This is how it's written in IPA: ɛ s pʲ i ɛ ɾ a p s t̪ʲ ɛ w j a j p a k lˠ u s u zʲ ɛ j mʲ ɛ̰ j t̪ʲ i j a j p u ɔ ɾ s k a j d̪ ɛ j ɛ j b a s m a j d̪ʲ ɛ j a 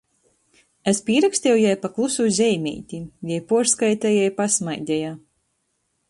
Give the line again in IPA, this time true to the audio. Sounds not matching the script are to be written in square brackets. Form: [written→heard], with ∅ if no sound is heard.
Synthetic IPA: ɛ s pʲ i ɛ ɾ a [p→k] s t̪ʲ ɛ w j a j p a k lˠ u s u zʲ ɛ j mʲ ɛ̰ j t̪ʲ i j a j p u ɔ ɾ s k a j [d̪→t̪] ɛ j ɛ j [b→p] a s m a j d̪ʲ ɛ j a